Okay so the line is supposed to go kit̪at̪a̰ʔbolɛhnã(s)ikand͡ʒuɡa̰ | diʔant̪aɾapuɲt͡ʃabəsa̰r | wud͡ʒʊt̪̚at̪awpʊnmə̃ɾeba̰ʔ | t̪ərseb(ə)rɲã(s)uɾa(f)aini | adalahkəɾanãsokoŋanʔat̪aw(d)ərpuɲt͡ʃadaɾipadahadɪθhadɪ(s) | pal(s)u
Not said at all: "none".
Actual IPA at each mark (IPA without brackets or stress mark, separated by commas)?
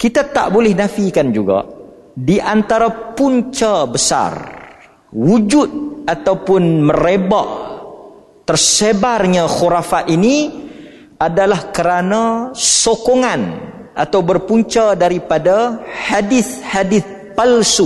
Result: f, a, x, f, b, θ, s